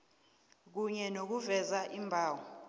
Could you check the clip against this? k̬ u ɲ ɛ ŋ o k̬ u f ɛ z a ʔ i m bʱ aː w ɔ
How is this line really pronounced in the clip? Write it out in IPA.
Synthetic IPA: k̬ u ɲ ɛ n o k̬ u v ɛ z a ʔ i m bʱ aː w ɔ